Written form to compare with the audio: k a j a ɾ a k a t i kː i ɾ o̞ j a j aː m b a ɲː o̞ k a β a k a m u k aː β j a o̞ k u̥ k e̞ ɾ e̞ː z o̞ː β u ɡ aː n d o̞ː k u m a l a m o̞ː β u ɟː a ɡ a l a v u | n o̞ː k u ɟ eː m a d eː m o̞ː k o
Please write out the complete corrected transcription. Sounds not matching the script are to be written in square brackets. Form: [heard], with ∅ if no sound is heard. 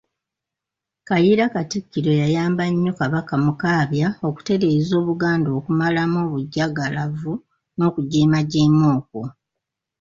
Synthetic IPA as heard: k a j [i] ɾ a k a t i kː i ɾ o̞ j a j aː m b a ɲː o̞ k a β a k a m u k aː β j a o̞ k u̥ [t] e̞ ɾ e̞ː z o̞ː β u ɡ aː n d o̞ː k u m a l a m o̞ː β u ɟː a ɡ a l a v u | n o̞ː k u ɟ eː m a [ɟ] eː m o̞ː k o

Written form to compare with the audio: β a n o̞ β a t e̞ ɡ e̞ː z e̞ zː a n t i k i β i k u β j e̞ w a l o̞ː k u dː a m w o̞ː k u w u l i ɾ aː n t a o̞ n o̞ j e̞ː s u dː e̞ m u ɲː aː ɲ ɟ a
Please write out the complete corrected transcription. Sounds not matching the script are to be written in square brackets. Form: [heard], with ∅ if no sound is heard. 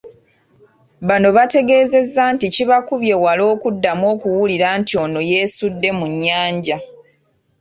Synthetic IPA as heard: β a n o̞ β a t e̞ ɡ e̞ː z e̞ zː a n t i [c] i β [a] k u β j e̞ w a l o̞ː k u dː a m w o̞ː k u w u l i ɾ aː n t [i] o̞ n o̞ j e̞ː s u dː e̞ m u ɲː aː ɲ ɟ a

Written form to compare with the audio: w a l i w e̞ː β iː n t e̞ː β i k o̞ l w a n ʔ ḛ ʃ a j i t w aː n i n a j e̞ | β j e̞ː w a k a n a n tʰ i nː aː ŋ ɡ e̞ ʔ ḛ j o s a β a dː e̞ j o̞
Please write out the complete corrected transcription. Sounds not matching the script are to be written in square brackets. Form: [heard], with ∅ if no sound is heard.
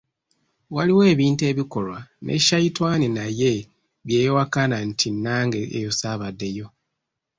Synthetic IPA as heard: w a l i w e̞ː β iː n t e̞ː β i k o̞ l w a n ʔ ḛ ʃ a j i t w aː n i n a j e̞ | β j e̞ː w a k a n a n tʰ i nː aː ŋ ɡ e̞ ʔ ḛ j o s a β a dː e̞ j o̞

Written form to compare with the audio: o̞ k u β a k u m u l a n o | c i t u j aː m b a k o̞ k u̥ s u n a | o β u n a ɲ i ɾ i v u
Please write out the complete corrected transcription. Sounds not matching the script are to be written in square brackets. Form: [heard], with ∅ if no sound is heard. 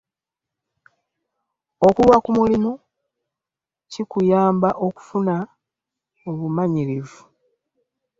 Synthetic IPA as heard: o̞ k u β a k u m u l [i] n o | c i [k] u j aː m b a [ʔ] o̞ k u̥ [f] u n a | o β u [m] a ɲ i ɾ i v u

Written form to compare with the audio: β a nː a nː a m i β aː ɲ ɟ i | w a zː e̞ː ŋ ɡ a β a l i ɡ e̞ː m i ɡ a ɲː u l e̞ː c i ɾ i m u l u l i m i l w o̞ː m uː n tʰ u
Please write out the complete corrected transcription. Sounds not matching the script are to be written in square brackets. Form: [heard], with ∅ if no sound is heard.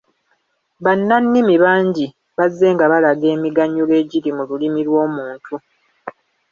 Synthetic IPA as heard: β a nː a nː [i] m i β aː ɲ ɟ i | [β] a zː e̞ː ŋ ɡ a β a l [a] ɡ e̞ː m i ɡ a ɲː u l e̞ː [ɟ] i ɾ i m u l u l i m i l w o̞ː m uː n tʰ u

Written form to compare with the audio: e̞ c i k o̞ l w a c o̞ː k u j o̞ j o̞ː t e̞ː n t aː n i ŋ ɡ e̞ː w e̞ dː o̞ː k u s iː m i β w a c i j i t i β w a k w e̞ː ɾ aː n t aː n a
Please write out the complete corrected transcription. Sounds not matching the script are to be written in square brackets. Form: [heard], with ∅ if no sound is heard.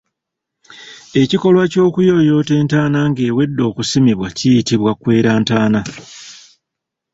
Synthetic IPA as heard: e̞ c i k o̞ l w a c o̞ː k u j o̞ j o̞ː t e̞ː n t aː n [a] ŋ ɡ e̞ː w e̞ dː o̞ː k u s [i] m i β w a c i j i t i β w a k w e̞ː ɾ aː n t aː n a

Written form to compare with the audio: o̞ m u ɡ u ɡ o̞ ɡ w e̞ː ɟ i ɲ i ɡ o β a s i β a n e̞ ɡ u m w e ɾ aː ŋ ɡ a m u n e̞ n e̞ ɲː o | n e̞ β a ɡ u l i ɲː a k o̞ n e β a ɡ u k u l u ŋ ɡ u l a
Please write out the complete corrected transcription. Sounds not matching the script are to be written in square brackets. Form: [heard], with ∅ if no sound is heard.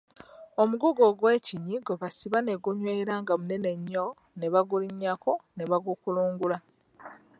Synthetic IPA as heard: o̞ m u ɡ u ɡ o̞ ɡ w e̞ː [c] i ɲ i ɡ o β a s i β a n e̞ ɡ u [ɲ] w e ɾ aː ŋ ɡ a m u n e̞ n e̞ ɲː o | n e̞ β a ɡ u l i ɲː a k o̞ n e β a ɡ u k u l [uː] ŋ ɡ u l a

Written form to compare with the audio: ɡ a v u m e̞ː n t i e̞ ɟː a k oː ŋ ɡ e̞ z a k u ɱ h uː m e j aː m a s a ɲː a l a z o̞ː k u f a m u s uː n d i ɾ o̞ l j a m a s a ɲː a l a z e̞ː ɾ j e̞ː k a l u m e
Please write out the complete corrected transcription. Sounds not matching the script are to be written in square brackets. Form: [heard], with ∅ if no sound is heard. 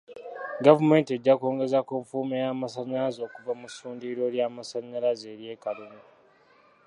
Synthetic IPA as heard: ɡ a v u m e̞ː n t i e̞ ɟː a k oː ŋ ɡ e̞ z a k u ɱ [f] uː m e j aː m a s a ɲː a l a z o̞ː k u [v] a m u s uː n d i ɾ o̞ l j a m a s a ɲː a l a z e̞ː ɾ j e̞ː k a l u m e

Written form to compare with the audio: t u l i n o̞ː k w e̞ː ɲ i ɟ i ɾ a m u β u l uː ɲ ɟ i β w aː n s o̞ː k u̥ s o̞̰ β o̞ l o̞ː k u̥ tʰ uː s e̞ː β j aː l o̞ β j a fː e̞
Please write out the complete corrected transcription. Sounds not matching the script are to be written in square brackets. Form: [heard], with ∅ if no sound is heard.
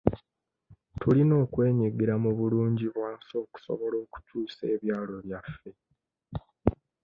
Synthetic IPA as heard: t u l i n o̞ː k w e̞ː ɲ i [ɡ] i ɾ a m u β u l uː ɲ ɟ i β w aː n s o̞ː k u̥ s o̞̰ β o̞ l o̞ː k u̥ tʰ uː s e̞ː β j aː l o̞ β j a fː e̞

